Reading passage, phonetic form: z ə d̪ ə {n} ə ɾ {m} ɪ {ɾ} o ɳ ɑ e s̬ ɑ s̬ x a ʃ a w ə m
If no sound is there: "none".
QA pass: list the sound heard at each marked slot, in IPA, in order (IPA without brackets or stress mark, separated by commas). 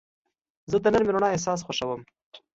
n, m, ɾ